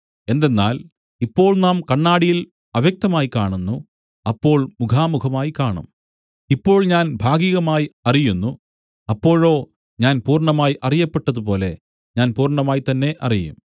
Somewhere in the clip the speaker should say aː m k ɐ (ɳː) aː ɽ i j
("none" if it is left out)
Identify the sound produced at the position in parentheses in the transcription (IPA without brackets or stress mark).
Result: ɳː